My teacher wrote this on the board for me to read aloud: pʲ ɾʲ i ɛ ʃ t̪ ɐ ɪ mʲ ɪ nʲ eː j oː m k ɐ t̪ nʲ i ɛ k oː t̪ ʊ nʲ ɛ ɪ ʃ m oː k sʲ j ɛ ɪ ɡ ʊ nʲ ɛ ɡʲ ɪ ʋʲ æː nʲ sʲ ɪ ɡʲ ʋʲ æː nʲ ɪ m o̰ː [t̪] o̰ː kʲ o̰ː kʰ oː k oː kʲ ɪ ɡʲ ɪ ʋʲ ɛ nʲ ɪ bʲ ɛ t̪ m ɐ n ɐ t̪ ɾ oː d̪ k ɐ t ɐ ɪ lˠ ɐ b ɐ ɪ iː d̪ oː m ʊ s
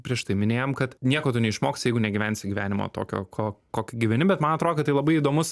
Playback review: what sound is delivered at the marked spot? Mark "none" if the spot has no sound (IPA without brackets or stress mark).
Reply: t̪